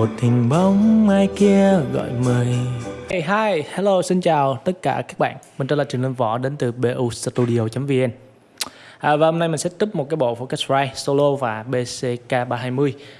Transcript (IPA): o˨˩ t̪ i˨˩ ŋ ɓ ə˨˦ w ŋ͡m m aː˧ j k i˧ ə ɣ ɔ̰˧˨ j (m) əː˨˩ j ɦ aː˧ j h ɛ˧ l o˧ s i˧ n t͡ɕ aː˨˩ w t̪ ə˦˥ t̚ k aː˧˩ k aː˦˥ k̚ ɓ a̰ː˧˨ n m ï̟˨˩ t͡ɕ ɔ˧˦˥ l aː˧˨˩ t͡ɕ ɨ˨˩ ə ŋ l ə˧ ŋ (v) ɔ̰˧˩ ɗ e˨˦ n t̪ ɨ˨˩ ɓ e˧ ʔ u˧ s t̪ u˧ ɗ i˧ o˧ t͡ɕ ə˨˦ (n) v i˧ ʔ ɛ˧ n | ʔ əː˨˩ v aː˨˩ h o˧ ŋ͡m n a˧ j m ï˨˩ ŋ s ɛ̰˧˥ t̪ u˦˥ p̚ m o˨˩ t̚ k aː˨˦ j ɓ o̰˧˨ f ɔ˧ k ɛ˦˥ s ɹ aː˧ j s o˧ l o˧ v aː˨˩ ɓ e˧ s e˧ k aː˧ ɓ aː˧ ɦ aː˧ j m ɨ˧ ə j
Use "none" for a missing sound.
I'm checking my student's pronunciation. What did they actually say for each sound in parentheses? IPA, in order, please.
m, v, m

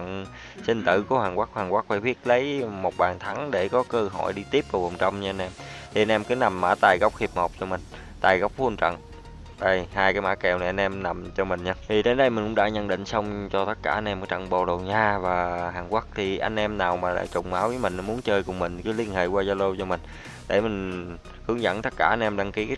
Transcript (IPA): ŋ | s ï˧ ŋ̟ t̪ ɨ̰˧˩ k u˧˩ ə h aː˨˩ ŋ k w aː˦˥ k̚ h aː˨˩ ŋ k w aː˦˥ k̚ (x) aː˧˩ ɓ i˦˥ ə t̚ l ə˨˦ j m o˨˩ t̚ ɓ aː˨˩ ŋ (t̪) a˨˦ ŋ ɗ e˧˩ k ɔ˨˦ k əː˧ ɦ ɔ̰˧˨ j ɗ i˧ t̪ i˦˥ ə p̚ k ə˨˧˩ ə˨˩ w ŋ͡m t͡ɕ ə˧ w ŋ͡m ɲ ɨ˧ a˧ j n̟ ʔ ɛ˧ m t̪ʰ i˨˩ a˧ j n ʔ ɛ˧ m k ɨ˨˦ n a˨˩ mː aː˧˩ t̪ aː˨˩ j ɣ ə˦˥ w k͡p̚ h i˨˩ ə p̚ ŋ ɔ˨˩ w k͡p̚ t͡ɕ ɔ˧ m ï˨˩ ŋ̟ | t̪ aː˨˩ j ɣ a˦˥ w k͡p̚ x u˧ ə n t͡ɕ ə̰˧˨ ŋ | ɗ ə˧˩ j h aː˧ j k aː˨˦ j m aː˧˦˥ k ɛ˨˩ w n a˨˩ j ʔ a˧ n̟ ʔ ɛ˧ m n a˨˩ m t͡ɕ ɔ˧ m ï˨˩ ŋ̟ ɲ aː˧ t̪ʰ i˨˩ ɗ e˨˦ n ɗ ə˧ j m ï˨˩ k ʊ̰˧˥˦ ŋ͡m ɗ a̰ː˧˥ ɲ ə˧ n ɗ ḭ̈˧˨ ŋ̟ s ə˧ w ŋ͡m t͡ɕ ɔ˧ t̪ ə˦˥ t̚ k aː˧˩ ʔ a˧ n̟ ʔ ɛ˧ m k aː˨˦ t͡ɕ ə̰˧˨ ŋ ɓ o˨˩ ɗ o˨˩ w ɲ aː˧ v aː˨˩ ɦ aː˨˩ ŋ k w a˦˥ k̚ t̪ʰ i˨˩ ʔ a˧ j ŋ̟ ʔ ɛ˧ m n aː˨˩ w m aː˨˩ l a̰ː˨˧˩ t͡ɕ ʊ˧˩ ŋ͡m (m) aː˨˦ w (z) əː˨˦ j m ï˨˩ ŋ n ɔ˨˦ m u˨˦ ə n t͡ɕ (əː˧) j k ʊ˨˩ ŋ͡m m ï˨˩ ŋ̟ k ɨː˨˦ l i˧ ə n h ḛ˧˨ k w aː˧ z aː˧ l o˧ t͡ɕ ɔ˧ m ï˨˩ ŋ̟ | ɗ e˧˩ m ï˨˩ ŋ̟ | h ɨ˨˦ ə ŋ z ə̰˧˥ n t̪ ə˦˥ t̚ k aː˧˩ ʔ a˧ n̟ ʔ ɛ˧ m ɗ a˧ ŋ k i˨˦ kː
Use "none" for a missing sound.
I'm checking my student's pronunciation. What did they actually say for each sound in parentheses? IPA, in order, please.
f, t̪ʰ, m, v, əː˧

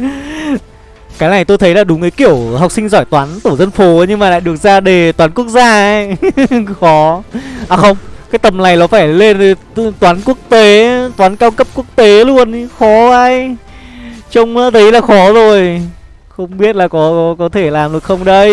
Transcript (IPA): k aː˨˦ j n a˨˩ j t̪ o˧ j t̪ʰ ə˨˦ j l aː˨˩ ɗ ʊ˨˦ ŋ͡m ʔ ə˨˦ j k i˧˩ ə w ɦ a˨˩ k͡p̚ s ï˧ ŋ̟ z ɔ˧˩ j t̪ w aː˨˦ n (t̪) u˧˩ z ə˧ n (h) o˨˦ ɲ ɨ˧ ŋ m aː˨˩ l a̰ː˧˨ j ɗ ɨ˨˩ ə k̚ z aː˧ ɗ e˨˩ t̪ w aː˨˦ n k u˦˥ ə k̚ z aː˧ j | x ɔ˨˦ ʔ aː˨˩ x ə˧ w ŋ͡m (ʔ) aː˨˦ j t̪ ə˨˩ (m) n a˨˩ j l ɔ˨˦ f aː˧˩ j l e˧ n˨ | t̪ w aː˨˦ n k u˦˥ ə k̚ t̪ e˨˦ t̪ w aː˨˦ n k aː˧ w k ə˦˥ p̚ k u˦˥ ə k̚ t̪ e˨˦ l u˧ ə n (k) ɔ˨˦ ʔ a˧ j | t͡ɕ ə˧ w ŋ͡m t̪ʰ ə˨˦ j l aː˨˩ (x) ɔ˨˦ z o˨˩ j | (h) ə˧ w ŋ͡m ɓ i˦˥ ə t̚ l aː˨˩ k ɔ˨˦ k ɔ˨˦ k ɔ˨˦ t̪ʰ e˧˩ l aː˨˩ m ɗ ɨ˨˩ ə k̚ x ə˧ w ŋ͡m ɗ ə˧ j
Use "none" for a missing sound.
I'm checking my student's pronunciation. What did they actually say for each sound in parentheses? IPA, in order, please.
t̪, f, k, m, x, x, x

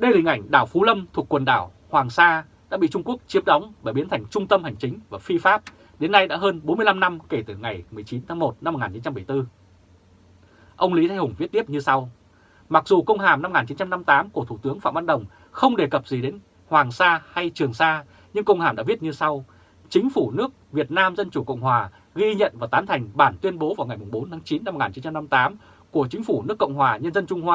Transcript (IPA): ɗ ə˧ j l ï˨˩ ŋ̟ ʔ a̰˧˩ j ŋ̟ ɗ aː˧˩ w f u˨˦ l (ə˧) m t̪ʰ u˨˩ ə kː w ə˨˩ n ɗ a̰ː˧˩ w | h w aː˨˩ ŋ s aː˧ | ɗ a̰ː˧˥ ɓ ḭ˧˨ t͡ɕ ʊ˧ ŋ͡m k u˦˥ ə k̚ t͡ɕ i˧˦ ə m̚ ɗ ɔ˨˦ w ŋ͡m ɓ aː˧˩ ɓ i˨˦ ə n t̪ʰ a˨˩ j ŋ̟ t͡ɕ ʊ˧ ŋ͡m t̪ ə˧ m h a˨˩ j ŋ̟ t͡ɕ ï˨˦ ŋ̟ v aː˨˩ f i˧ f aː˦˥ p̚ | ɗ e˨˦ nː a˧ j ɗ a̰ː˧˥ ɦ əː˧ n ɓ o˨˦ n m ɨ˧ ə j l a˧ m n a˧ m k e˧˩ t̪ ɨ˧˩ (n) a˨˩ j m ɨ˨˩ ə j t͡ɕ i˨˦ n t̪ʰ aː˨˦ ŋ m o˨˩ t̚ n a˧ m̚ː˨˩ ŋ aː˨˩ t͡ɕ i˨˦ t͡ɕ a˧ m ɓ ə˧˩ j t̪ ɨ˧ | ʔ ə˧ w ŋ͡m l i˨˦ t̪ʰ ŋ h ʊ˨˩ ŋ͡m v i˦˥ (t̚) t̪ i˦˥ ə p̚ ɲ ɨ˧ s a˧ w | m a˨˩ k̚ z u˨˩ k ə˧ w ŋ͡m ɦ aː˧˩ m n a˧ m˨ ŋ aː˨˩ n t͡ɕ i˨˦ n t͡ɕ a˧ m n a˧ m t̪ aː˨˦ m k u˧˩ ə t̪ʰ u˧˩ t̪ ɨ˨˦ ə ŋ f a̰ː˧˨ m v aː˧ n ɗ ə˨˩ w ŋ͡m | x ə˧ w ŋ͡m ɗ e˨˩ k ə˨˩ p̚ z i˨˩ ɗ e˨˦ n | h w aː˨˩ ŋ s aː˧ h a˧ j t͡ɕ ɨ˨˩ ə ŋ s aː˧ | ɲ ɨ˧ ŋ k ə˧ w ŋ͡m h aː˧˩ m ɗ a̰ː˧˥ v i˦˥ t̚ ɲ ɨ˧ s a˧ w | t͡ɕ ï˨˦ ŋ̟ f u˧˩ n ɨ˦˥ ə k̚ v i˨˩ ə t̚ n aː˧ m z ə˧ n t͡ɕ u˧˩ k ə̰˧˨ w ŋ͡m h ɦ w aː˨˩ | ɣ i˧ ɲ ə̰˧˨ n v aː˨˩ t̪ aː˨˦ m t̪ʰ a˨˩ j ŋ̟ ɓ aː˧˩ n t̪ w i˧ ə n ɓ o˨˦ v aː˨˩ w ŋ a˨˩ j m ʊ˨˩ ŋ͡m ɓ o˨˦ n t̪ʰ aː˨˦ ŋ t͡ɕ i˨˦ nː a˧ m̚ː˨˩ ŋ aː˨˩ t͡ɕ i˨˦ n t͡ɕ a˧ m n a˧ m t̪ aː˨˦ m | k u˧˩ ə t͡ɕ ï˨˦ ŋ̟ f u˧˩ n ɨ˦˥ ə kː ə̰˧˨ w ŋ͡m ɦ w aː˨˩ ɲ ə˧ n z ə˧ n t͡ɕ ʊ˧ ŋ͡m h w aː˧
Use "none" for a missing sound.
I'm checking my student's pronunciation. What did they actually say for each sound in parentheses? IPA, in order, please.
ə˧, ŋ, t̚

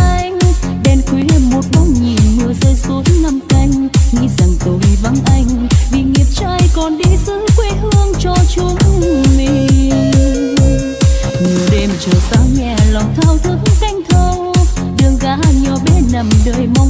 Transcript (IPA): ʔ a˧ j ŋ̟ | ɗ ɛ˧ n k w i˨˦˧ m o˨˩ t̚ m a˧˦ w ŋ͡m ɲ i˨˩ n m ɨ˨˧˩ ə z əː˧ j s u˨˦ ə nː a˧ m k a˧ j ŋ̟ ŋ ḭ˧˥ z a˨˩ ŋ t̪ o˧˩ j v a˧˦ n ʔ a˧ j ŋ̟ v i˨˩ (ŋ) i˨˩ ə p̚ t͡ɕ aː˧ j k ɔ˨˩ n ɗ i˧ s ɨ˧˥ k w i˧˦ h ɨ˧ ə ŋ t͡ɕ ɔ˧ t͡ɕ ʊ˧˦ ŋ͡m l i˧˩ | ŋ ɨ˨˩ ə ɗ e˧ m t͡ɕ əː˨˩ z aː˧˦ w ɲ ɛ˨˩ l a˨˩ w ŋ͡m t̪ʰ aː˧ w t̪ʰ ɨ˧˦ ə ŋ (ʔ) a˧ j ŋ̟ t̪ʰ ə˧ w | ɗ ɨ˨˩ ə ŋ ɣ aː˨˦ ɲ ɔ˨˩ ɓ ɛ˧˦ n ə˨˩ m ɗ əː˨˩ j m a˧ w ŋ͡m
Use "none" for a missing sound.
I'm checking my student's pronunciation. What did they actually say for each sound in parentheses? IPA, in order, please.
ŋ, k

